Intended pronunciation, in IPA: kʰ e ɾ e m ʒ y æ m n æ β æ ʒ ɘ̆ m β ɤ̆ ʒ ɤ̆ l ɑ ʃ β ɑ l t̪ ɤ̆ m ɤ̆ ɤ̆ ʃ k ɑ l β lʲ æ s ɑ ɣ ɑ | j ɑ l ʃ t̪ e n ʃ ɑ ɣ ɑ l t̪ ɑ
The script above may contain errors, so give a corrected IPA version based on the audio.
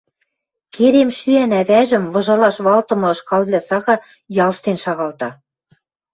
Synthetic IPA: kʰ e ɾ e m ʃ y æ n æ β æ ʒ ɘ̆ m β ɤ̆ ʒ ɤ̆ l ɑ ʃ β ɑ l t̪ ɤ̆ m ɤ̆ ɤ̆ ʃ k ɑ l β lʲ æ s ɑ ɣ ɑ | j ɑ l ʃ t̪ e n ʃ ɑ ɣ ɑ l t̪ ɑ